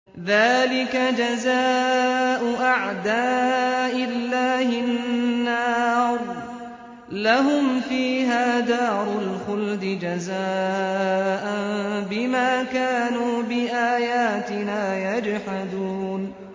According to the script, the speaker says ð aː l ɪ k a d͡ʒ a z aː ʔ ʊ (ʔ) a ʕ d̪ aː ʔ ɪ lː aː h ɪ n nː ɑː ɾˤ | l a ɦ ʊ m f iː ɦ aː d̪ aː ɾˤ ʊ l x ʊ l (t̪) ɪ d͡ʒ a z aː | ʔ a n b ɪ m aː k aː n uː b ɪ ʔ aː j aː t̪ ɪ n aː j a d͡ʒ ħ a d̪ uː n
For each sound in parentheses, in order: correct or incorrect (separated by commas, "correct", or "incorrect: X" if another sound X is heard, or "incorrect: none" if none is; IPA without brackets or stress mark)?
correct, incorrect: d̪